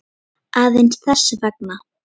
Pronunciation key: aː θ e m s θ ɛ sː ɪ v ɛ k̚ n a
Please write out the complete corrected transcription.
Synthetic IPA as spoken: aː ð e n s θ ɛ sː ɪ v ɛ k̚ n a

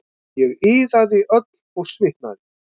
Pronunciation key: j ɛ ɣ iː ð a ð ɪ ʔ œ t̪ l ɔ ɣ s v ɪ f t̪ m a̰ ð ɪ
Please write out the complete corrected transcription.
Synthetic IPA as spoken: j ɛ ɣ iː ð a ð ɪ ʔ œ t̪ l ɔ ɣ s v ɪ h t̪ n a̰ ð ɪ

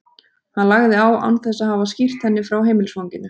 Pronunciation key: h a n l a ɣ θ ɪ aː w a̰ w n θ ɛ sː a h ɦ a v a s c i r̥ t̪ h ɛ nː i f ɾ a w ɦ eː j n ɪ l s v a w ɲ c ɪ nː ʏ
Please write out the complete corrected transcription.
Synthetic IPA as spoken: h a n l a ɣ ð ɪ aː w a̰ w n θ ɛ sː a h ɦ a v a s c i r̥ t̪ h ɛ nː ɪ f ɾ a w ɦ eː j m ɪ l s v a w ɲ c ɪ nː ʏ

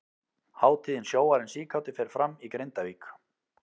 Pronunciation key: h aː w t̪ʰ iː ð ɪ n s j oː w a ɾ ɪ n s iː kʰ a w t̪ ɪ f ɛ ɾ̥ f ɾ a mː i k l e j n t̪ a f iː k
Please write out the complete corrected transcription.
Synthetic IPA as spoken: h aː w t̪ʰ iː ð ɪ n s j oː w a ɾ ɪ n s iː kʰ a w t̪ ɪ f ɛ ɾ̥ f ɾ a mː i k ɾ e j n t̪ a v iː k

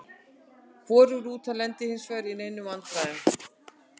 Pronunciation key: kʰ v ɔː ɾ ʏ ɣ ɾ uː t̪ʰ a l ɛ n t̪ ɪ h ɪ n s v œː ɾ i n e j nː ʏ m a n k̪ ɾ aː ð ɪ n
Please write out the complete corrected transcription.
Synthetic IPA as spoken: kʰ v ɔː ɾ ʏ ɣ ɾ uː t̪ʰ a l ɛ n t̪ ɪ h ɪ n s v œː ɾ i n e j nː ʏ m a n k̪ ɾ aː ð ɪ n

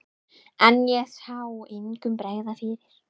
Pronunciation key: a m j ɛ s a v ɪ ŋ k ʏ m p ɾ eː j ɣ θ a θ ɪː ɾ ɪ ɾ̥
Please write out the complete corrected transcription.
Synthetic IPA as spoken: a n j ɛ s a w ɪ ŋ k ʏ m p ɾ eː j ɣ ð a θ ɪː ɾ ɪ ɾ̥

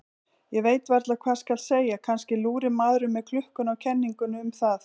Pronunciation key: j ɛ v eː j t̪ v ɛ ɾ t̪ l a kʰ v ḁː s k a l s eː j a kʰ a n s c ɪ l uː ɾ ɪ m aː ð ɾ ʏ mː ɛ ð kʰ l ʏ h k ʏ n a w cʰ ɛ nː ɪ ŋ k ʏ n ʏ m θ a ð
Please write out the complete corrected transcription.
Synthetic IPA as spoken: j ɛ v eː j t̪ v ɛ ɾ t̪ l a kʰ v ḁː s k a l s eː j a kʰ a n s c ɪ l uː ɾ ɪ m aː ð ɾ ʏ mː ɛ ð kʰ l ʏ h k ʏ n a w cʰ ɛ nː i ŋ k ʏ n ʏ m θ a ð

